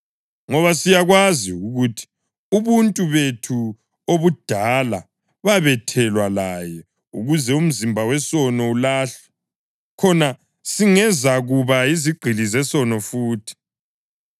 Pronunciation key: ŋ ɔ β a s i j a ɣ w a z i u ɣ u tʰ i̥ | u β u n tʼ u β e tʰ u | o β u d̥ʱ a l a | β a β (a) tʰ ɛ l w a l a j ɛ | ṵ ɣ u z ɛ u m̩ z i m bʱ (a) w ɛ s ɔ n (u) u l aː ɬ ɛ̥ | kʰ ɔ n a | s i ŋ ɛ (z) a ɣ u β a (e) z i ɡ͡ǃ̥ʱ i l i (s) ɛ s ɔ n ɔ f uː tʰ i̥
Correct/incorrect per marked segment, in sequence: incorrect: ɛ, correct, incorrect: ɔ, correct, incorrect: i, incorrect: z

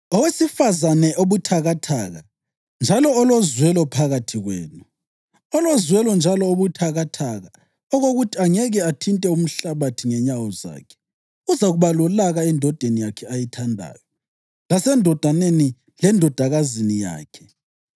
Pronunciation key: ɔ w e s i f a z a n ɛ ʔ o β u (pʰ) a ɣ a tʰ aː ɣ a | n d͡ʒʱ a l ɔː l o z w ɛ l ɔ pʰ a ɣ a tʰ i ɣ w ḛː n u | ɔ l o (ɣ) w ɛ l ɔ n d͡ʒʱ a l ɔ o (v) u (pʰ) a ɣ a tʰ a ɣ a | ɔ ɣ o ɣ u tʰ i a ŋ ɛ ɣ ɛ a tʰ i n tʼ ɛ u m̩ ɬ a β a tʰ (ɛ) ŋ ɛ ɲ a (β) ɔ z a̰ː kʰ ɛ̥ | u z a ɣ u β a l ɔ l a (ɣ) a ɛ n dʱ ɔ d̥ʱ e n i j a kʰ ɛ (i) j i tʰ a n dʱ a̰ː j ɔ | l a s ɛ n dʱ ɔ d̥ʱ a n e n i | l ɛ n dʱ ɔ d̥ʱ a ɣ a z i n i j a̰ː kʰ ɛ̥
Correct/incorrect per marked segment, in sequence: incorrect: tʰ, incorrect: z, incorrect: β, incorrect: tʰ, incorrect: i, incorrect: w, correct, incorrect: a

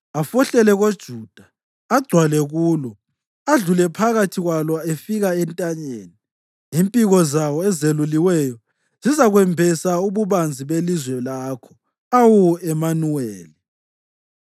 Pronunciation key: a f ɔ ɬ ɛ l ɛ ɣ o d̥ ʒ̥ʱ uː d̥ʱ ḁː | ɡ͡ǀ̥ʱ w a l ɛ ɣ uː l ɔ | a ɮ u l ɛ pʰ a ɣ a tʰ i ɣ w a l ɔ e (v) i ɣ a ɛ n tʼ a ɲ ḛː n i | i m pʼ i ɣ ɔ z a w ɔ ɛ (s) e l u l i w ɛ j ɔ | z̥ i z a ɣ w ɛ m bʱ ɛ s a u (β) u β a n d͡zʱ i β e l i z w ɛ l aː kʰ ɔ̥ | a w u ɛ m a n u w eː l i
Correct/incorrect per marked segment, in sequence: incorrect: f, incorrect: z, correct

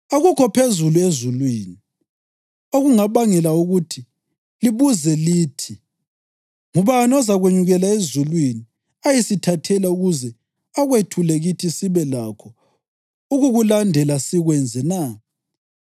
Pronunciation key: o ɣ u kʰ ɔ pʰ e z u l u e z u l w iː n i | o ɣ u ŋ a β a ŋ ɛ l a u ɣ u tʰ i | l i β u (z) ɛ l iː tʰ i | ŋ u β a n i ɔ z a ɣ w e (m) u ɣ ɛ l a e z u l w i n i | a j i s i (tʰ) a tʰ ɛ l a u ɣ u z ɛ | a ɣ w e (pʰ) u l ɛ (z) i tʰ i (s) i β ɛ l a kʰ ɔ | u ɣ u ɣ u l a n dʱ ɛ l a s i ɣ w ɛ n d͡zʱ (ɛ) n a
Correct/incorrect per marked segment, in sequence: correct, incorrect: ɲ, correct, incorrect: tʰ, incorrect: ɣ, correct, correct

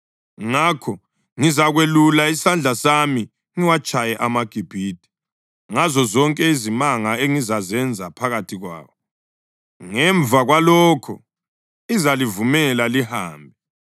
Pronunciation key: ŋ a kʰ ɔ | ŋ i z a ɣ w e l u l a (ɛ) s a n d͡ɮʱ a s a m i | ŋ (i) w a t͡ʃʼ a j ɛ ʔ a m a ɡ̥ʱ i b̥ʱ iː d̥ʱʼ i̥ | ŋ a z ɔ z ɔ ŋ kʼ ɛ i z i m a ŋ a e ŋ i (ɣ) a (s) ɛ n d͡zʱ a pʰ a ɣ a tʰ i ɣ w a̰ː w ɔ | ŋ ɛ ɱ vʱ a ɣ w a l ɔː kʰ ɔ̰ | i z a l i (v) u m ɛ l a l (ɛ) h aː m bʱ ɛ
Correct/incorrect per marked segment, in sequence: incorrect: i, correct, incorrect: z, incorrect: z, correct, incorrect: i

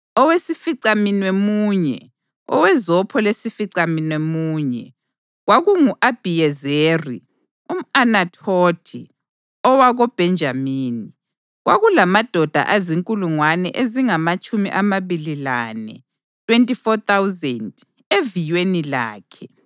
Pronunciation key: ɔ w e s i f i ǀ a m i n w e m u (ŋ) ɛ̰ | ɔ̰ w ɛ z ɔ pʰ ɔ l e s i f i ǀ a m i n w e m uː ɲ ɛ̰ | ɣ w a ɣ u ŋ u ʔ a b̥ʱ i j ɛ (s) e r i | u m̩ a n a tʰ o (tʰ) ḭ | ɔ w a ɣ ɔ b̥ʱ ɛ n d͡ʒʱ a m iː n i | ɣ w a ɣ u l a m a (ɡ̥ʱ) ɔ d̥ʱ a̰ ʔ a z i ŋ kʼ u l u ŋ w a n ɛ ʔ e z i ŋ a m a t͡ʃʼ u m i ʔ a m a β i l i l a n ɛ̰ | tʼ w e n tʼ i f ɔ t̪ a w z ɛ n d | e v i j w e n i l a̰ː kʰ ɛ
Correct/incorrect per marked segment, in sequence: incorrect: ɲ, incorrect: z, correct, incorrect: d̥ʱ

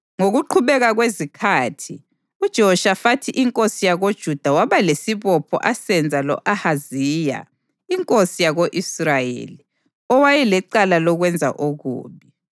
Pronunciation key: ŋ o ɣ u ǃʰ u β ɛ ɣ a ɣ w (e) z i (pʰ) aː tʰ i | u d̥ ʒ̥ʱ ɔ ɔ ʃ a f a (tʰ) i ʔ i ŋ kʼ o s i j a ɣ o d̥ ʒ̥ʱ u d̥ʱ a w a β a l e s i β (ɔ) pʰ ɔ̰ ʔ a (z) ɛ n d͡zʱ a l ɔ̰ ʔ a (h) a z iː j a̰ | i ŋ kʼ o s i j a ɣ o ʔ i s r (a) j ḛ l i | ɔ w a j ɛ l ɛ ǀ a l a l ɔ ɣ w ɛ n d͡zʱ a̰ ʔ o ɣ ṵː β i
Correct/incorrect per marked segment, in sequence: correct, incorrect: kʰ, correct, correct, incorrect: s, correct, correct

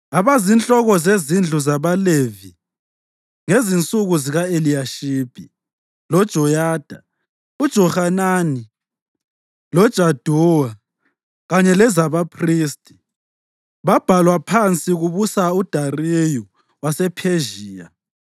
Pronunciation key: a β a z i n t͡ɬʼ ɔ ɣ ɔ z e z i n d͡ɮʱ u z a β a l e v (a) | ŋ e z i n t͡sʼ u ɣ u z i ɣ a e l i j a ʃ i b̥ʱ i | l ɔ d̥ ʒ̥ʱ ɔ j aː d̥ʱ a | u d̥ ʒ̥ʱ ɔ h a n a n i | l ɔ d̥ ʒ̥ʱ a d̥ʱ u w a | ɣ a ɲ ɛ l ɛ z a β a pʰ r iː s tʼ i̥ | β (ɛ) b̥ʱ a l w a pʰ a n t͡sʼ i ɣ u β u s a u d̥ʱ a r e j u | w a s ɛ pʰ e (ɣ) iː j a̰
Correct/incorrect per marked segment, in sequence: incorrect: i, incorrect: a, incorrect: ʒ

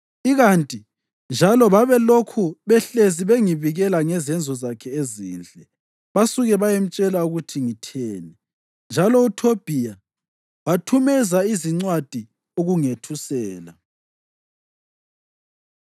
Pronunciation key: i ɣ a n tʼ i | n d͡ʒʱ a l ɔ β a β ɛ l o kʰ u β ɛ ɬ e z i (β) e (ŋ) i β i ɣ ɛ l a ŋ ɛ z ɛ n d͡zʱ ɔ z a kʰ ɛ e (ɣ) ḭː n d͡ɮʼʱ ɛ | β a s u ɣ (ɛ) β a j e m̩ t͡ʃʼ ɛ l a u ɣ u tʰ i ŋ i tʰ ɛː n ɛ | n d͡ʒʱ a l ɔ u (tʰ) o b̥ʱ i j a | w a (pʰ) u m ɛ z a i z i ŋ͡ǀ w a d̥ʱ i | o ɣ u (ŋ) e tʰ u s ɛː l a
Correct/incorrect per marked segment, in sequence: correct, correct, incorrect: z, correct, correct, incorrect: tʰ, correct

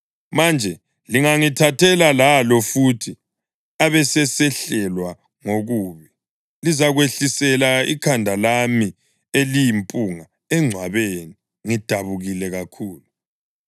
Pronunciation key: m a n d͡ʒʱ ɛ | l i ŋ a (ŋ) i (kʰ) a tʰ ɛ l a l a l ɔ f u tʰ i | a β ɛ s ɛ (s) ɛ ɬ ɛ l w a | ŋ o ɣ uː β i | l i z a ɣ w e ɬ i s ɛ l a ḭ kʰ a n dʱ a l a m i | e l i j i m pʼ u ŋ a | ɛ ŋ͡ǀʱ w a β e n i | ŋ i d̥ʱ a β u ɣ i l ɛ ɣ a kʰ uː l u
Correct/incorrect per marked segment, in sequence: correct, incorrect: tʰ, correct

